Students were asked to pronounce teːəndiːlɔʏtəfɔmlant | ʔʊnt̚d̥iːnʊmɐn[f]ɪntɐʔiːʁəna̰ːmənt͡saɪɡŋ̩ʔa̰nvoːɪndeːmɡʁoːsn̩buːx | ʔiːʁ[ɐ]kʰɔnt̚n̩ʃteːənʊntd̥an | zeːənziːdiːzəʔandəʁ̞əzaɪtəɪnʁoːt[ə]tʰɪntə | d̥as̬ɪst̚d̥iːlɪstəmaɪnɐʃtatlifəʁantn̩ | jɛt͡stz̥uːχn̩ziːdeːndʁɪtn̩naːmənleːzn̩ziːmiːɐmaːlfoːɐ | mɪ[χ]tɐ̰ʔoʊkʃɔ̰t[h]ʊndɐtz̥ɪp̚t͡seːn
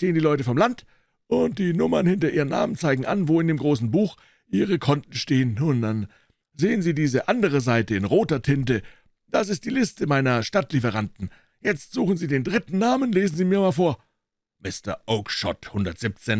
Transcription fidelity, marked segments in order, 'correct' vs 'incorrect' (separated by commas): incorrect, incorrect, incorrect, incorrect, correct